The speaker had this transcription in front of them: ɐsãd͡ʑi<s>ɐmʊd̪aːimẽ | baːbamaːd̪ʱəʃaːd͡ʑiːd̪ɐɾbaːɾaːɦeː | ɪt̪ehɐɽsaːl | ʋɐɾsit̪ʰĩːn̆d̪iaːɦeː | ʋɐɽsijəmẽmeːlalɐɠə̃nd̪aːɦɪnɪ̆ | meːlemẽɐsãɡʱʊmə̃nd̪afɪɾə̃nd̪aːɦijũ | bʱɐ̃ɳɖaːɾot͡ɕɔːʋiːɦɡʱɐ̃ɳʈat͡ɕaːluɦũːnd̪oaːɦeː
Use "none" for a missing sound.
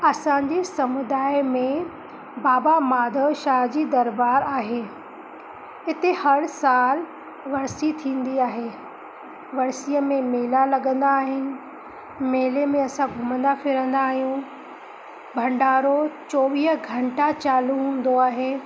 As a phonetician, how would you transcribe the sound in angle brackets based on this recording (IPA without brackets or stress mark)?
s